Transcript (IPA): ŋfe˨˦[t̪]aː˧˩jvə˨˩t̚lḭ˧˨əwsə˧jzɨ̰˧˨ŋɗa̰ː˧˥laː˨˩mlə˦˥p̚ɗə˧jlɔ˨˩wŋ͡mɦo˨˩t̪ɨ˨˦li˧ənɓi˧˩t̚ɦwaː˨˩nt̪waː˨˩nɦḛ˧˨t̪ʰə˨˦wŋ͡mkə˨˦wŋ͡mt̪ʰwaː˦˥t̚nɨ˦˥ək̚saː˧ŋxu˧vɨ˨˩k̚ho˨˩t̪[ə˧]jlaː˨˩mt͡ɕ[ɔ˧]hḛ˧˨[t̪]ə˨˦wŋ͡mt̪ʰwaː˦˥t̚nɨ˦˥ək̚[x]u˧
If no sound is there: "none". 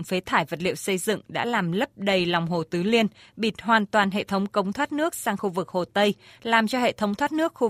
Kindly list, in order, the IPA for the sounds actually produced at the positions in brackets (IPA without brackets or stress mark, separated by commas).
t̪ʰ, ə˧, ɔ˧, t̪ʰ, x